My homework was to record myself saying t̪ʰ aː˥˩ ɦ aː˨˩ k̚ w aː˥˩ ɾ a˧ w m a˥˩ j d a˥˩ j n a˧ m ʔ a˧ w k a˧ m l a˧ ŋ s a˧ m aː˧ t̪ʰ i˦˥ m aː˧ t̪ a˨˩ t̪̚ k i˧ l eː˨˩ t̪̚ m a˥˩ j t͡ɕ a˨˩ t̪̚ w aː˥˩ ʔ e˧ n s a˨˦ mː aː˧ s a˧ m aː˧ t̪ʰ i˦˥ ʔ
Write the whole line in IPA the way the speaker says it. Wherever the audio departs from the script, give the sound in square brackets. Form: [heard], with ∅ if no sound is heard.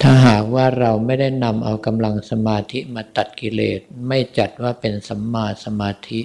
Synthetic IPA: t̪ʰ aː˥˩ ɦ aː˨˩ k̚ w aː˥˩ ɾ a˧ w m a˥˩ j d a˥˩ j n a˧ m ʔ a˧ w k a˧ m l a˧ ŋ s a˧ m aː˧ t̪ʰ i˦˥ m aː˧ t̪ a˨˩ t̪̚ k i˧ l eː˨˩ t̪̚ m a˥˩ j t͡ɕ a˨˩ t̪̚ w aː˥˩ [p] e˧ n s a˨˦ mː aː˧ s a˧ m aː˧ t̪ʰ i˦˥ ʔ